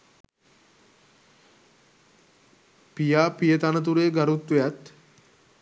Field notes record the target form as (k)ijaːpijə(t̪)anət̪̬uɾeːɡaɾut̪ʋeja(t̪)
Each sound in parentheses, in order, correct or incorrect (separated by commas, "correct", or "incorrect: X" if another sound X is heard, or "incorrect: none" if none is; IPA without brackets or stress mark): incorrect: p, correct, correct